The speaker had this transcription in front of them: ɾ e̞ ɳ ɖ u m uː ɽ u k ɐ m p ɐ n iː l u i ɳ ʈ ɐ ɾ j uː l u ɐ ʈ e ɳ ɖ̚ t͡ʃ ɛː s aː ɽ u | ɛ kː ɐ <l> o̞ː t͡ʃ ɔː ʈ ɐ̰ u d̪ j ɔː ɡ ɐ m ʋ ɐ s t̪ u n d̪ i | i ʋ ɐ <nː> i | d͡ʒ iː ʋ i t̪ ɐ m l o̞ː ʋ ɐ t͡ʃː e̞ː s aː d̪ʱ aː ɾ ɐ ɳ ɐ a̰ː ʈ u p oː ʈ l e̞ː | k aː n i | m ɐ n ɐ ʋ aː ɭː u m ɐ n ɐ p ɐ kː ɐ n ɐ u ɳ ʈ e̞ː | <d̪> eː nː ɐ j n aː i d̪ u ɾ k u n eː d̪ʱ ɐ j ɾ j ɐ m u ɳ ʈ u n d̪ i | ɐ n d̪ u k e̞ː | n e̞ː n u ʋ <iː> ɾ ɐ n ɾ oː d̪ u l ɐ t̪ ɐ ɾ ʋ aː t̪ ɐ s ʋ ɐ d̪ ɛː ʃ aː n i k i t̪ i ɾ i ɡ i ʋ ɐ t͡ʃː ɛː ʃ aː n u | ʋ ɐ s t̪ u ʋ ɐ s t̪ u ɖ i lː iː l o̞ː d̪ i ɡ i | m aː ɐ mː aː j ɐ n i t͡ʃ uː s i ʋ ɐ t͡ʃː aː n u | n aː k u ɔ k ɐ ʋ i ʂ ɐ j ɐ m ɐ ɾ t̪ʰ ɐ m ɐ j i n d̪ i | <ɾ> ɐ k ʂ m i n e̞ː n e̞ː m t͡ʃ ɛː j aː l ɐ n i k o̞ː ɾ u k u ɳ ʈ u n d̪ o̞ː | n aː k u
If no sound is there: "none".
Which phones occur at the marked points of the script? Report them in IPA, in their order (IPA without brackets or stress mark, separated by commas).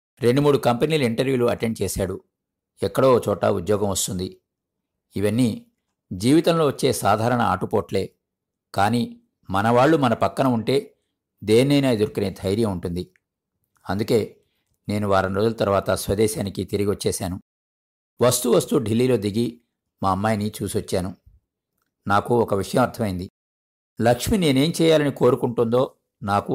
ɽ, nː, d̪, aː, l